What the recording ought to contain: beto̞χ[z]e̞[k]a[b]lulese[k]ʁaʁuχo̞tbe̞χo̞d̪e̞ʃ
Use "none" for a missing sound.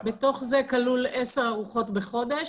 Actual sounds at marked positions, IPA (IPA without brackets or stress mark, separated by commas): z, k, none, none